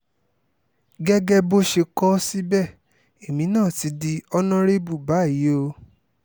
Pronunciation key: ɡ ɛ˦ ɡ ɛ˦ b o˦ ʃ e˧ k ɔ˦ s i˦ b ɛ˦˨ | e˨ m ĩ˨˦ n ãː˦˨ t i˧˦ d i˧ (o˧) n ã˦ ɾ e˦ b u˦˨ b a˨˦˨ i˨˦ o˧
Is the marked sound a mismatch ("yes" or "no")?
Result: yes